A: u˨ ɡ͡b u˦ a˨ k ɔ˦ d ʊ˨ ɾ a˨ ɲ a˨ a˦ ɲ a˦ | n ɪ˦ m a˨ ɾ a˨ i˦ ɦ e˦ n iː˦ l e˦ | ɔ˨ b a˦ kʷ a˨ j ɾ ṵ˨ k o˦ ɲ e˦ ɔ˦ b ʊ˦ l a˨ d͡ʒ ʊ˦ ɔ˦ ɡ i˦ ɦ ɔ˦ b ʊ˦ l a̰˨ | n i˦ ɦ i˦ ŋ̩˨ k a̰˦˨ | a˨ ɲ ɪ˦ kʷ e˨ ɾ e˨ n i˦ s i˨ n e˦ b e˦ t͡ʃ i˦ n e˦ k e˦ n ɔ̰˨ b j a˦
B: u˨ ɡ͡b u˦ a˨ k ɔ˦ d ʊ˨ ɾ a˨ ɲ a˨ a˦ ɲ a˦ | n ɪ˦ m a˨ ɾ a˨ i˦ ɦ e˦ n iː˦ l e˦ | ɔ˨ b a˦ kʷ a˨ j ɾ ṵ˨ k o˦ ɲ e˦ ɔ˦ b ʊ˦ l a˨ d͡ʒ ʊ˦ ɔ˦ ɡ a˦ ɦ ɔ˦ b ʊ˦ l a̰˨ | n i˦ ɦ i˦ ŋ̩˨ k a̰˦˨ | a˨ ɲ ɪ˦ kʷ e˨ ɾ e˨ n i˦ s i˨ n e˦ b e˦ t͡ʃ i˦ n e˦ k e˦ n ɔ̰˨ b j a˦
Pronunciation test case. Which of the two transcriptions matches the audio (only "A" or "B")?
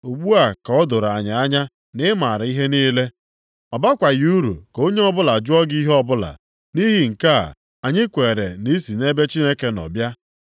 A